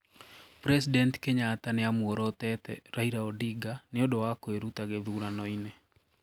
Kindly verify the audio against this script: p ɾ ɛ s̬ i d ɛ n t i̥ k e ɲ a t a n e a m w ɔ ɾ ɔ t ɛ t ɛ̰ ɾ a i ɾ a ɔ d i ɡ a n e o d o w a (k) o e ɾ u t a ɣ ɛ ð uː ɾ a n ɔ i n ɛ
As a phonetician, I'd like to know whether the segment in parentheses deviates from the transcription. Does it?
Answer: no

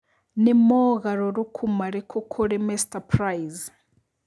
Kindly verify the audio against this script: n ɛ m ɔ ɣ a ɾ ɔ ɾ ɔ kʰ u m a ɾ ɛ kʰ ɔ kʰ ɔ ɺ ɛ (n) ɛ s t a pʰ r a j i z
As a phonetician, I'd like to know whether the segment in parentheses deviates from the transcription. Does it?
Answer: yes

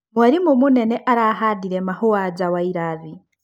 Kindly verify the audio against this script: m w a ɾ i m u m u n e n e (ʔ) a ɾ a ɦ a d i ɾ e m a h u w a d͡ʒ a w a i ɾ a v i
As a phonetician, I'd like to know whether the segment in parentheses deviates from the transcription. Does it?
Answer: no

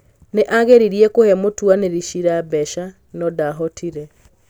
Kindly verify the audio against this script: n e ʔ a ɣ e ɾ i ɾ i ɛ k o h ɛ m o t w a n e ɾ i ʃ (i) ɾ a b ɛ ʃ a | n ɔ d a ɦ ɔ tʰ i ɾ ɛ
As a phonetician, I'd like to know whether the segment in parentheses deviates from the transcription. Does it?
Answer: no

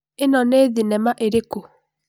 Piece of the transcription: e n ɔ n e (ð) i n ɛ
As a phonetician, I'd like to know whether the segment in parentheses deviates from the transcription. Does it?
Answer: no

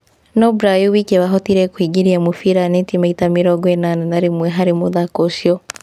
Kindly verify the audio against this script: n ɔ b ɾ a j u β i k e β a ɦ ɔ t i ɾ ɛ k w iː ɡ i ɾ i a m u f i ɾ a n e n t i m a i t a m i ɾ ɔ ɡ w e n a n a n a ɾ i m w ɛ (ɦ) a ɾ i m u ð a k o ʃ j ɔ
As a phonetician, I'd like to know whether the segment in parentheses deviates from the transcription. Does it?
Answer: no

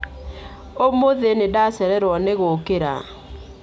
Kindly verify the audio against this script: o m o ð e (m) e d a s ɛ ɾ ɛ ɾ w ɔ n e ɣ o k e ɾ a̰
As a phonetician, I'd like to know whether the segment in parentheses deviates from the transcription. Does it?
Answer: yes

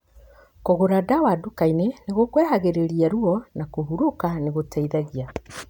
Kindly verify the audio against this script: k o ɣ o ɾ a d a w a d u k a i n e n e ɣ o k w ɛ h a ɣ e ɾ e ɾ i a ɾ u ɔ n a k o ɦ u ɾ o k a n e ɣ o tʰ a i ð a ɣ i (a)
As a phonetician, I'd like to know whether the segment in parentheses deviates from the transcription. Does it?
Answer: no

